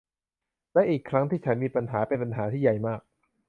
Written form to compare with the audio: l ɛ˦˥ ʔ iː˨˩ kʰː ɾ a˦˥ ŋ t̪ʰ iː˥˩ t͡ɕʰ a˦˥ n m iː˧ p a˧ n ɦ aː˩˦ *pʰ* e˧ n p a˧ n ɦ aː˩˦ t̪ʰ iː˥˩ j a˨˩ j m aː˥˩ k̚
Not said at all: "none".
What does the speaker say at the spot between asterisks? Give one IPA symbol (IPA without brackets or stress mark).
p